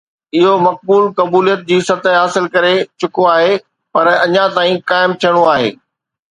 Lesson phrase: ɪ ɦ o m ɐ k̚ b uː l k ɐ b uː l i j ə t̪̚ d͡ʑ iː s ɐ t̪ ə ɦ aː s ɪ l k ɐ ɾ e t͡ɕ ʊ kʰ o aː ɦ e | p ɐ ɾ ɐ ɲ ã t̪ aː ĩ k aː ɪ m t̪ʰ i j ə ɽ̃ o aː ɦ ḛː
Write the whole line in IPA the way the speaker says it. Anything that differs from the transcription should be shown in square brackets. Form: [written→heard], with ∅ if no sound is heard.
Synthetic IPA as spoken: ɪ ɦ o m ɐ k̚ b uː l k ɐ b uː l i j ə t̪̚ d͡ʑ iː s ɐ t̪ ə ɦ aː s ɪ l k ɐ ɾ e t͡ɕ ʊ [kʰ→k] o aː ɦ e | p ɐ ɾ ɐ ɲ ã t̪ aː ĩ k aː ɪ m t̪ʰ i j ə ɽ̃ o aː ɦ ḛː